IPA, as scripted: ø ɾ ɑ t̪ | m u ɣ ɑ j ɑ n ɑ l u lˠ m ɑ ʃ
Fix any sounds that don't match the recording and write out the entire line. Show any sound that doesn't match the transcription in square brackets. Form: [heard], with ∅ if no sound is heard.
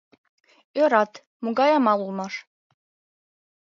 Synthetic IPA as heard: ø ɾ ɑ t̪ | m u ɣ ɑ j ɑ [m] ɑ l u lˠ m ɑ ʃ